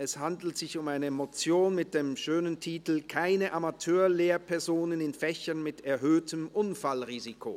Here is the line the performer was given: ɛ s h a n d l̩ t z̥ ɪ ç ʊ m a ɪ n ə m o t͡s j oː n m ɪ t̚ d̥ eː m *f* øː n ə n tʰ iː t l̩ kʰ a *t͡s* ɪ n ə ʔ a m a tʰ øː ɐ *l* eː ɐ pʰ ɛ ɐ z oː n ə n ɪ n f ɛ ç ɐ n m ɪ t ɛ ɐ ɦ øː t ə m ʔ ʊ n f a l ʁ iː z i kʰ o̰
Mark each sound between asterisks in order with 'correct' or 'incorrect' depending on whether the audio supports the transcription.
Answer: incorrect: ʃ, incorrect: none, correct

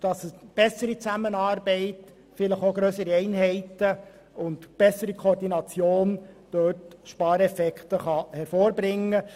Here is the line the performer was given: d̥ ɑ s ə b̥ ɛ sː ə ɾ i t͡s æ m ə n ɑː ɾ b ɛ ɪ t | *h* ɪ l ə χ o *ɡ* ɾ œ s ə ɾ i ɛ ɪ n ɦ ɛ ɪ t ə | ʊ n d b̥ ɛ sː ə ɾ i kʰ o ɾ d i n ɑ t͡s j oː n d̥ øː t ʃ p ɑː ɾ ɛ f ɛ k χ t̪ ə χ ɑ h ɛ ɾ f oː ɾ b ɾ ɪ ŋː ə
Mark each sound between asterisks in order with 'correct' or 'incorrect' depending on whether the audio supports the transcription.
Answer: incorrect: f, correct

